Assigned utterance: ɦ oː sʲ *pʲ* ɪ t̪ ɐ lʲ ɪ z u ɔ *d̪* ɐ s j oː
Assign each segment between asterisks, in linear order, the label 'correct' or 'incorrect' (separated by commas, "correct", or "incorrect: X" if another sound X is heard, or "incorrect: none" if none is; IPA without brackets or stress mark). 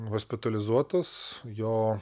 correct, incorrect: t̪